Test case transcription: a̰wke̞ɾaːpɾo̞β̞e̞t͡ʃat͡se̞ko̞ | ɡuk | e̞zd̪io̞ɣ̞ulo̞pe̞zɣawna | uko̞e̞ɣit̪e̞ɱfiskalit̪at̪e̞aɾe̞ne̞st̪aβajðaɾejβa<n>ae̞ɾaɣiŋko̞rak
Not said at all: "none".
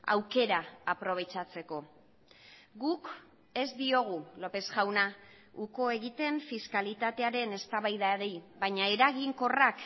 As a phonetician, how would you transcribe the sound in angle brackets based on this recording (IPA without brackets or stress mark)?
ɲ